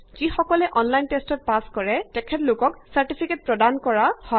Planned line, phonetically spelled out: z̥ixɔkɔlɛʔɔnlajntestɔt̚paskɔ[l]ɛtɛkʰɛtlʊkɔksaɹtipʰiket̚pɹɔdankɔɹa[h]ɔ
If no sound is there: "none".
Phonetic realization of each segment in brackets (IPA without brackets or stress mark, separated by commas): ɹ, h